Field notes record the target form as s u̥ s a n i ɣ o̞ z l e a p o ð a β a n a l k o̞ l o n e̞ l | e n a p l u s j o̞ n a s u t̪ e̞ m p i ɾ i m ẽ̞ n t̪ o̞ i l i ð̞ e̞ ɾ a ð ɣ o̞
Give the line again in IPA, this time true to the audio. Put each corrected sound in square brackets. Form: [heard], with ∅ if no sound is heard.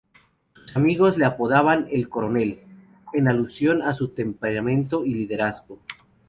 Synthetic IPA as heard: s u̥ s a [m] i ɣ o̞ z l e a p o ð a β a n [e] l k o̞ [ɾ] o n e̞ l | e n a [∅] l u s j o̞ n a s u t̪ e̞ m p [e] ɾ [a] m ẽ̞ n t̪ o̞ i l i ð̞ e̞ ɾ a [z] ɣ o̞